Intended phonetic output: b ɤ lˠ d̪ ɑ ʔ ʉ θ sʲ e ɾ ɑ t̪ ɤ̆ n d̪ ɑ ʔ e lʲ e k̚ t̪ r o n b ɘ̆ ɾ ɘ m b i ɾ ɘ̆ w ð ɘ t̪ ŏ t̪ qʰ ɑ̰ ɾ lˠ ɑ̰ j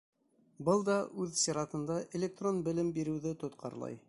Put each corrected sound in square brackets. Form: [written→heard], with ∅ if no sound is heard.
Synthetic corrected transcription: b ɤ lˠ d̪ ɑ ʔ ʉ [θ→ð] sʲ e ɾ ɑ t̪ ɤ̆ n d̪ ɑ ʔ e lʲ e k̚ t̪ r o n b ɘ̆ [ɾ→l] ɘ m b i ɾ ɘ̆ w ð ɘ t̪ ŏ t̪ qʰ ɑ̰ ɾ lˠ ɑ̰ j